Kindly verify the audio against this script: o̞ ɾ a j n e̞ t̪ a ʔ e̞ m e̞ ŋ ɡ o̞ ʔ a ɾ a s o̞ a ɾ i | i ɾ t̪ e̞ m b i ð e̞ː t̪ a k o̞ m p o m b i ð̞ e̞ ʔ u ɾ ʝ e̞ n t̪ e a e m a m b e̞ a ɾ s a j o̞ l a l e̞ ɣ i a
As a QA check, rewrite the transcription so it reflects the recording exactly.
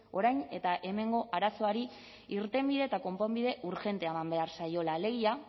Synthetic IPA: o̞ ɾ a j n e̞ t̪ a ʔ e̞ m e̞ ŋ ɡ o̞ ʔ a ɾ a s o̞ a ɾ i | i ɾ t̪ e̞ m b i ð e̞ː t̪ a k o̞ m p o m b i ð̞ e̞ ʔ u ɾ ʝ e̞ n t̪ e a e m a m b e̞ a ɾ s a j o̞ l a l e̞ ɣ i a